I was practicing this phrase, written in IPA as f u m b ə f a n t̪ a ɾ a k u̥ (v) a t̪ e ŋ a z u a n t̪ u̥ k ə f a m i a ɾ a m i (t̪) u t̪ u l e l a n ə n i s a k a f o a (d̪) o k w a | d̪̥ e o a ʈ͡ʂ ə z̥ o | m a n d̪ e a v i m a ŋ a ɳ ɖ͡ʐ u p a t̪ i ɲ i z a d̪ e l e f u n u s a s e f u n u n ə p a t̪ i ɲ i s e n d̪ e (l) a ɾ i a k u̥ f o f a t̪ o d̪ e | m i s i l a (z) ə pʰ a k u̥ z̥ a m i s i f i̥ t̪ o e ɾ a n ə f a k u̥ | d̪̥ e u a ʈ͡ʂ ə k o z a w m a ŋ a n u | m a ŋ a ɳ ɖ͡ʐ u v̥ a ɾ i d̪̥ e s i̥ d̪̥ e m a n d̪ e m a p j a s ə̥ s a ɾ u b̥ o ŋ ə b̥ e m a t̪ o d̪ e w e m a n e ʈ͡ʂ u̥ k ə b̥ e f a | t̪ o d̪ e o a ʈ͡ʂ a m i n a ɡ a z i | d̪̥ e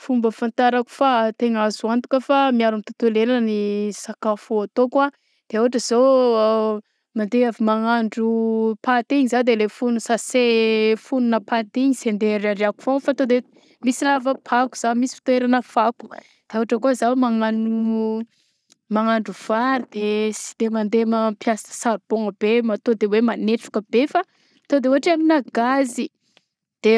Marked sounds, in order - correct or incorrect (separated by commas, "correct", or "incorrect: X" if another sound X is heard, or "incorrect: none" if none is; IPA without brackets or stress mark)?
incorrect: f, correct, incorrect: t̪, incorrect: ɾ, incorrect: v